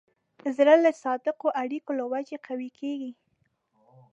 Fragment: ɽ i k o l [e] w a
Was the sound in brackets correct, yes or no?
no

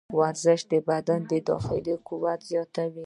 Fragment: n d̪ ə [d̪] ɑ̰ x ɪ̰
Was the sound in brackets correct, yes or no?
yes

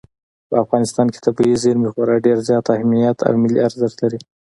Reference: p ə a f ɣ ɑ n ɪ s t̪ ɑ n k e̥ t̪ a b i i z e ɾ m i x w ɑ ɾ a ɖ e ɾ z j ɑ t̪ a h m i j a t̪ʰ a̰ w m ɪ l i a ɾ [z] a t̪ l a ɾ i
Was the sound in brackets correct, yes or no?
yes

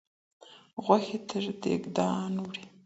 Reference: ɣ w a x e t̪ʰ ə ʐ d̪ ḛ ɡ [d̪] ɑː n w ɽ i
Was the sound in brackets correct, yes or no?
yes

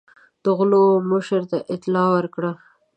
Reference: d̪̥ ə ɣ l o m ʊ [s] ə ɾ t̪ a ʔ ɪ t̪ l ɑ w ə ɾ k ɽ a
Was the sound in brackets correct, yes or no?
no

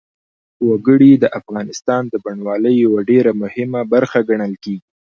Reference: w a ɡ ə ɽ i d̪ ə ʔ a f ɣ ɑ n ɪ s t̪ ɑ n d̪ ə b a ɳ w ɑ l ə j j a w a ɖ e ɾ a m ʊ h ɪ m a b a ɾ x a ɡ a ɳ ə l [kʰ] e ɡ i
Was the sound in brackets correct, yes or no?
no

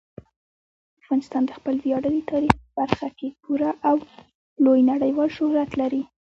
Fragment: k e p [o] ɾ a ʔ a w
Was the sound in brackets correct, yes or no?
no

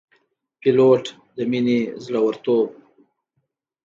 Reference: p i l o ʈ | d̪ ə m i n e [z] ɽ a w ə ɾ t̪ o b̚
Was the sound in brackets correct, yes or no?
yes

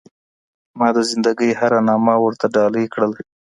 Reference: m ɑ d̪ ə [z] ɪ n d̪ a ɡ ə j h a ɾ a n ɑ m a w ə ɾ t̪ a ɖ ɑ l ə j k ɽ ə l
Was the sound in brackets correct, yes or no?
yes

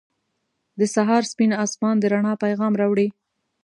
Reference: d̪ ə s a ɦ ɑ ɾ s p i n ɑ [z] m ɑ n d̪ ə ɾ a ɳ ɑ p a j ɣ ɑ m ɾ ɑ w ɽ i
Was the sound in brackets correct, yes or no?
no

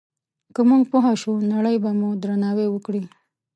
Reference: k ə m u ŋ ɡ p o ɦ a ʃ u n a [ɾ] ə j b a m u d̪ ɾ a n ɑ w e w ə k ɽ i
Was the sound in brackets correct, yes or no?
no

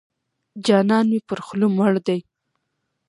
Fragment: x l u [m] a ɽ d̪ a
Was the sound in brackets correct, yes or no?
yes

